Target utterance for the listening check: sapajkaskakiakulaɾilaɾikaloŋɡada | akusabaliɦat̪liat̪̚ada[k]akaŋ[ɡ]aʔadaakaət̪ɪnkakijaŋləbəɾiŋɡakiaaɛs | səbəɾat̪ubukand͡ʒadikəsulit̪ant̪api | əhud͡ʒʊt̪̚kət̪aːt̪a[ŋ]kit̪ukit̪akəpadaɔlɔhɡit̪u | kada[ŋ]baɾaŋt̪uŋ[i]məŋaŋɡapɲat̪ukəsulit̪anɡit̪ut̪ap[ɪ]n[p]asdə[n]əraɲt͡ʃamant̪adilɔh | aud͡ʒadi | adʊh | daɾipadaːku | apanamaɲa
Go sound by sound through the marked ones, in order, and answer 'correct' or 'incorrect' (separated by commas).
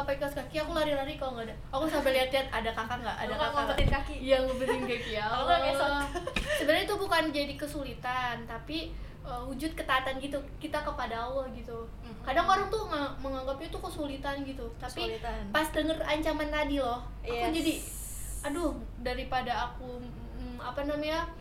correct, correct, incorrect, correct, incorrect, incorrect, correct, incorrect